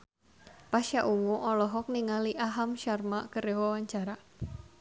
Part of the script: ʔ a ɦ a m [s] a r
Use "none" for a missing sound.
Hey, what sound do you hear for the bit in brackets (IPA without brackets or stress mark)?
ʃ